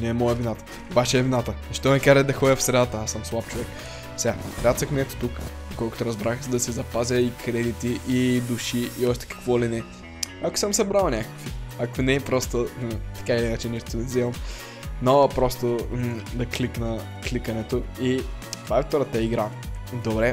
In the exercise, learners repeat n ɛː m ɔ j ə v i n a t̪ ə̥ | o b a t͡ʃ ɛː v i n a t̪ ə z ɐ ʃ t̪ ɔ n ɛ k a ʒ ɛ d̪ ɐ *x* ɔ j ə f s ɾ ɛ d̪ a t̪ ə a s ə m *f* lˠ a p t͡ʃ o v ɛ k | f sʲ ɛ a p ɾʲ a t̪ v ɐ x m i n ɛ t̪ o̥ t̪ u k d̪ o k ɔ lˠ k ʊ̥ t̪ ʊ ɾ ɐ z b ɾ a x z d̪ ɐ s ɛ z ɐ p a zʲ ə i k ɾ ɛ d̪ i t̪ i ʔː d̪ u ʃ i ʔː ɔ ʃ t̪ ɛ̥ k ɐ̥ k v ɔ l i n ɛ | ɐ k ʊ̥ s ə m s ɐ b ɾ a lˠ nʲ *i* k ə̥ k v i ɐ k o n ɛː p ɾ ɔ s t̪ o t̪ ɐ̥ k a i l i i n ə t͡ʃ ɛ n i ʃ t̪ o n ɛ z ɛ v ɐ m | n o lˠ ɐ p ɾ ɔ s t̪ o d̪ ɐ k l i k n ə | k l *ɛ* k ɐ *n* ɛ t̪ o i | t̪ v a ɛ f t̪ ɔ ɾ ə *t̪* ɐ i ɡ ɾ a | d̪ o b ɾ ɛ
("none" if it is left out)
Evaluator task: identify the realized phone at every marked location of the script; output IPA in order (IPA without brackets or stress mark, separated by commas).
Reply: x, s, a, i, n, t̪